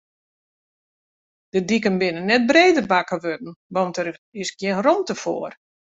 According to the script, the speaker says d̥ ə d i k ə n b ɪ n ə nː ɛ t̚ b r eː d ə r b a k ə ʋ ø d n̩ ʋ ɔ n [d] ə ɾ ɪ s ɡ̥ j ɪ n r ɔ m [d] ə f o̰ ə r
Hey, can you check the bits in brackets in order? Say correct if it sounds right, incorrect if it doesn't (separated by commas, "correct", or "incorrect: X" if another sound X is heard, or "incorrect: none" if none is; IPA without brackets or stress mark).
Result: incorrect: t, incorrect: t